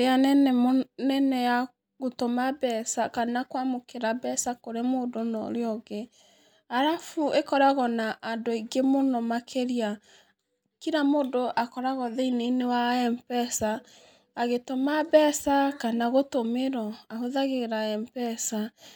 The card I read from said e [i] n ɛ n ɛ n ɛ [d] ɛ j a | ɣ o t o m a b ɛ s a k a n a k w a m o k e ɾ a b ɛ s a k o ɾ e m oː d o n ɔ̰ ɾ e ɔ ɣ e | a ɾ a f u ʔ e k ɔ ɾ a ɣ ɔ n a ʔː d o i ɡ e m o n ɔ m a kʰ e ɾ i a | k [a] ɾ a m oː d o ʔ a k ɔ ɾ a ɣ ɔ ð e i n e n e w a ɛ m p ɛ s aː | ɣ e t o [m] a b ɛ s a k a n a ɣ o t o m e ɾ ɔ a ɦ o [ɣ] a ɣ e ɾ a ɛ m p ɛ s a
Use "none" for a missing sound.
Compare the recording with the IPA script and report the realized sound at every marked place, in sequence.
a, n, i, m, ð

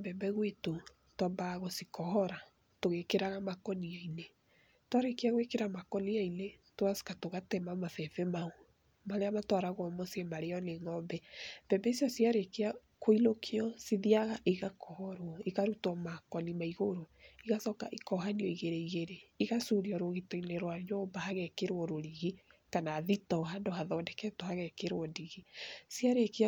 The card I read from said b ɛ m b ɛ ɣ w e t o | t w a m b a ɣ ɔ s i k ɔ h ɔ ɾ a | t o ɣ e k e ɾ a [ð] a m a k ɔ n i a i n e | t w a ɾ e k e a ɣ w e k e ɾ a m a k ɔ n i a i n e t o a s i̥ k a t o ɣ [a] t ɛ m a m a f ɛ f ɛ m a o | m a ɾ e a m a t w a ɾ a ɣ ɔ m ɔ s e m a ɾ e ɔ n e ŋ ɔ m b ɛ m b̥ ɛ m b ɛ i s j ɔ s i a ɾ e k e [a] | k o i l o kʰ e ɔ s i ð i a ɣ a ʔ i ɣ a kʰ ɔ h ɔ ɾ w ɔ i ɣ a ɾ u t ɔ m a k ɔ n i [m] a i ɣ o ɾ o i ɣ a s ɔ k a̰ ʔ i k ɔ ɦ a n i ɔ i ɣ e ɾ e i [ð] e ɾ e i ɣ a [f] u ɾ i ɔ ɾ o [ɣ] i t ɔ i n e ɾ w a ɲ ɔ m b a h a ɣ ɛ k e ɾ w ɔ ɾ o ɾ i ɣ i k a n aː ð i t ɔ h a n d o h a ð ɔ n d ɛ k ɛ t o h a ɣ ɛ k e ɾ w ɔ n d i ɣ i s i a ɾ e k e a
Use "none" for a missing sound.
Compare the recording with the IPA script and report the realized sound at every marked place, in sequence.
ɣ, a, a, m, ɣ, s, ɣ

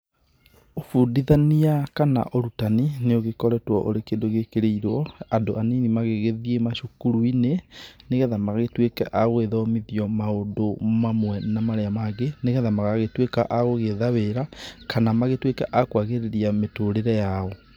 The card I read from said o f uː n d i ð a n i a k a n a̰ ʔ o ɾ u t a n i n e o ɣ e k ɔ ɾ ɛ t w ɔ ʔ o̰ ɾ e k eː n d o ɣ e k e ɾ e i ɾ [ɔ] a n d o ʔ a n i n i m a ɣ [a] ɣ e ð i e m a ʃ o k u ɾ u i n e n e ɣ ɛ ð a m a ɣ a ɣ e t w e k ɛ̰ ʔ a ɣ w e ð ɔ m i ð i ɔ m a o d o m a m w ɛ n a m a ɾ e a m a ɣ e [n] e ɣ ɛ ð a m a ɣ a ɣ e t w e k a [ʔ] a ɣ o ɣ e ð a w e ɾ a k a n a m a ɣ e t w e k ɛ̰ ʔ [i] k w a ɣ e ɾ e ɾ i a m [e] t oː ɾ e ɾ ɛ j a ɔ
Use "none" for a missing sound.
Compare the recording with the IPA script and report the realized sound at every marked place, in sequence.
ɔ, e, n, ʔ, a, e

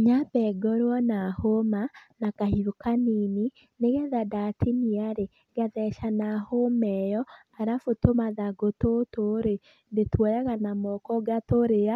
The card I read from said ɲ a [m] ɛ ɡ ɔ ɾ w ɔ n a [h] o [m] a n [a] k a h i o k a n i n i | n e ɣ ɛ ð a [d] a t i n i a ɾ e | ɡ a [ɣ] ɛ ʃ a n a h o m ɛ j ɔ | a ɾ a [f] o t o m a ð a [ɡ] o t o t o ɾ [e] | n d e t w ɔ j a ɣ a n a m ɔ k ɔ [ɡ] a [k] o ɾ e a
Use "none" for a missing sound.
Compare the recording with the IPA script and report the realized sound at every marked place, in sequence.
b, h, m, a, d, ð, f, ɡ, e, ɡ, t

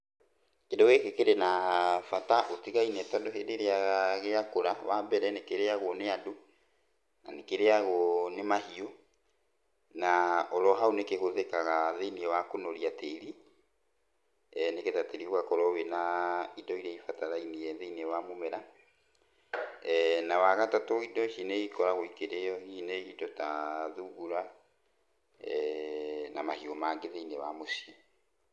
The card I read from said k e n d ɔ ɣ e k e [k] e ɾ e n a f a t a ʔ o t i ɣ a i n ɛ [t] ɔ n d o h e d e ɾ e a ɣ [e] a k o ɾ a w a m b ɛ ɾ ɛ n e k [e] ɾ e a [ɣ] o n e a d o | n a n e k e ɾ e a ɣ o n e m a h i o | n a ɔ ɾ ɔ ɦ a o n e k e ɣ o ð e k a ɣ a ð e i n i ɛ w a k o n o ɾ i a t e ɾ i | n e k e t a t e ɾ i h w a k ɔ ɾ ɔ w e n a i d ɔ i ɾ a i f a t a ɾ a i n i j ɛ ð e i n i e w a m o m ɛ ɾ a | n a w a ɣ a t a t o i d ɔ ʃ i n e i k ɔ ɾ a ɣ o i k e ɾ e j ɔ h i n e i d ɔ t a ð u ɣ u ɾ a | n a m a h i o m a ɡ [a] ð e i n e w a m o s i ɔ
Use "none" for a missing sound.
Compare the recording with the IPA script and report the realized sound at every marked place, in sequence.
k, t, e, e, ɣ, e

